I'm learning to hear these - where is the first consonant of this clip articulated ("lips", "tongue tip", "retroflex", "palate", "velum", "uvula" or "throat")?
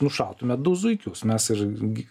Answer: tongue tip